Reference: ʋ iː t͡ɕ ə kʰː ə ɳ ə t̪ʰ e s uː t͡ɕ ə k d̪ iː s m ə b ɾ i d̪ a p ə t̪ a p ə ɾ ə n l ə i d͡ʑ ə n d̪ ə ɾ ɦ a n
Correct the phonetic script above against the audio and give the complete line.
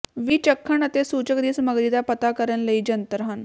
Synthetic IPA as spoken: ʋ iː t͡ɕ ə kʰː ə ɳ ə t̪ e s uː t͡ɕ ə k d̪ iː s m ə ɡ ɾ i d̪ a p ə t̪ a k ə ɾ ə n l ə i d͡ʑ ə n t̪ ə ɾ ɦ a n

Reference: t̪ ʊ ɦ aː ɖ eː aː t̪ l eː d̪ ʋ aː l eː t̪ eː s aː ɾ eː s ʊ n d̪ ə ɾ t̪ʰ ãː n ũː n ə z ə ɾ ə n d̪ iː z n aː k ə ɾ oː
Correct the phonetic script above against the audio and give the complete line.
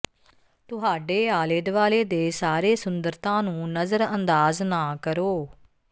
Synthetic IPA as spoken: t̪ ʊ ɦ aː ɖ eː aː l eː d̪ ʋ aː l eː d̪ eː s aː ɾ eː s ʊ n d̪ ə ɾ t̪ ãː n ũː n ə z ə ɾ ə n d̪ aː z n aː k ə ɾ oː

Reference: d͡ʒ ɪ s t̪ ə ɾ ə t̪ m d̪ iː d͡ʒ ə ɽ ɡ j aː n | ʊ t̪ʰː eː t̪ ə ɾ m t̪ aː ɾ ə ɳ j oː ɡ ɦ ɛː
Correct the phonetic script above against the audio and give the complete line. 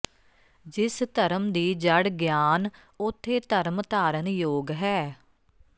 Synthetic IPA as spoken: d͡ʒ ɪ s t̪ ə ɾ ə m d̪ iː d͡ʒ ə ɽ ɡ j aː n | ʊ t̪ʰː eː t̪ ə ɾ m t̪ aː ɾ ə n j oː ɡ ɦ ɛː

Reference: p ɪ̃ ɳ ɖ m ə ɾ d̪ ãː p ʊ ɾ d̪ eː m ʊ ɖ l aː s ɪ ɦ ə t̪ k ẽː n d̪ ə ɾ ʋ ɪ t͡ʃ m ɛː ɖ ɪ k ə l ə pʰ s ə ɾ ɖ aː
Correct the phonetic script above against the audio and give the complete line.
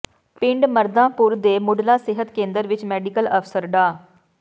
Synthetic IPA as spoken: p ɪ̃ ɳ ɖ m ə ɾ d̪ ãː p ʊ ɾ d̪ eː m ʊ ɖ l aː s ɪ ɦ ə t̪ k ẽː n d̪ ə ɾ ʋ ɪ t͡ʃ m ɛː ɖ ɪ k ə l ə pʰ s ə ɾ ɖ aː

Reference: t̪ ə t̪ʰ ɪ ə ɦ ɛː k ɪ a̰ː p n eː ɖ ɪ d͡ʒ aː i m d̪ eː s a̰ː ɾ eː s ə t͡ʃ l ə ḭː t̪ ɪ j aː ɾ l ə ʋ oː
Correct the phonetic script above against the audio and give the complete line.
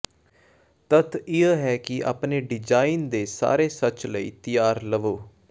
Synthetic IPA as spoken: t̪ ə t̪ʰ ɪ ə ɦ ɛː k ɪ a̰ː p n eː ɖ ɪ d͡ʒ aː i n d̪ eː s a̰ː ɾ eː s ə t͡ʃ l ə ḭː t̪ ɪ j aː ɾ l ə ʋ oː

